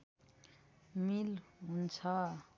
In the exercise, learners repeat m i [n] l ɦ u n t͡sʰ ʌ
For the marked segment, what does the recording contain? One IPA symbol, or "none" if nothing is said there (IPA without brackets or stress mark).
none